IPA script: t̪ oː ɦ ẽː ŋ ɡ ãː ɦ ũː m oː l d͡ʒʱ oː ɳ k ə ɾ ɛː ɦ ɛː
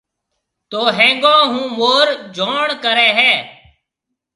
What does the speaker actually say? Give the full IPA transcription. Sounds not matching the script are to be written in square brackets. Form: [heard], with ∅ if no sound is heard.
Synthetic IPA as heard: t̪ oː ɦ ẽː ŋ ɡ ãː ɦ ũː m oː [ɾ] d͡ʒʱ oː ɳ k ə ɾ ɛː ɦ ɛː